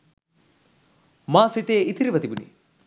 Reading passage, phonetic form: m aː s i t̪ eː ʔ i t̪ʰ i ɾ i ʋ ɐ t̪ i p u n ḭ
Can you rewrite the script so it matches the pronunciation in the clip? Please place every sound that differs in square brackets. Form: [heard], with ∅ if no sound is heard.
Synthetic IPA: m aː s i t̪ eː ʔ i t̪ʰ i ɾ i ʋ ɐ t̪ i [b] u n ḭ